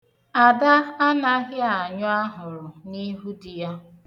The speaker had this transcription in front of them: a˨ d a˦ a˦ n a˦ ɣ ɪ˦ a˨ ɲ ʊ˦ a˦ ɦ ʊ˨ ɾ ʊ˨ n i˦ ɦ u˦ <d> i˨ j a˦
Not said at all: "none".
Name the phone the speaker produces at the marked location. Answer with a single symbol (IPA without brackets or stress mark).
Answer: d